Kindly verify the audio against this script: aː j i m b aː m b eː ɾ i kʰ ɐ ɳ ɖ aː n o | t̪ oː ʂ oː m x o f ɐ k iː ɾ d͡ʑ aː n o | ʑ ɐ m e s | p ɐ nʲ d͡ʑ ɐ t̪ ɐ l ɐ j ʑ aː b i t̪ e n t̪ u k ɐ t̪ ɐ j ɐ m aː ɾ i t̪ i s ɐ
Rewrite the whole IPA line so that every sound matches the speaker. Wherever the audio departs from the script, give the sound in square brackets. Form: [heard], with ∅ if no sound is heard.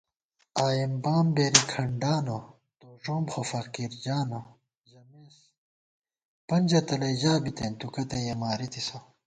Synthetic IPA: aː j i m b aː m b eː ɾ i kʰ ɐ ɳ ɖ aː n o | t̪ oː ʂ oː m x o f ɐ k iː ɾ d͡ʑ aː n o | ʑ ɐ m e s | p ɐ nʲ d͡ʑ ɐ t̪ ɐ l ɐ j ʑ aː b i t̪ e n t̪ u k ɐ t̪ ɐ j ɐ m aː ɾ i t̪ i s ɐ